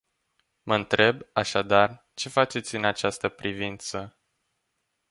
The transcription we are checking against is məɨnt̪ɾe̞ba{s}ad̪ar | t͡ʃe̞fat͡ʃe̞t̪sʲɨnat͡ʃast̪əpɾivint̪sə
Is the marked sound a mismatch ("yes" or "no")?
yes